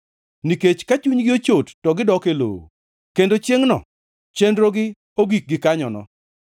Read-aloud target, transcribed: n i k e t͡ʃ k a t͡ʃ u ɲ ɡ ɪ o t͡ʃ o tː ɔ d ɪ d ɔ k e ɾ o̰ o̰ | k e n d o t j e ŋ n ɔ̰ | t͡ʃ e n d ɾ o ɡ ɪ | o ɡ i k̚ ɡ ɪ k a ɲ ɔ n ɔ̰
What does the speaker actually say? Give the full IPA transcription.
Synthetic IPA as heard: n i k e t͡ʃ k a t͡ʃ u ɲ ɡ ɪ o t͡ʃ o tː ɔ ɡ ɪ d ɔ k e l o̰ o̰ | k e n d o t͡ʃ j e ŋ n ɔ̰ | t͡ʃ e n d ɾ o ɡ ɪ | o ɡ i k̚ ɡ ɪ k a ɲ ɔ n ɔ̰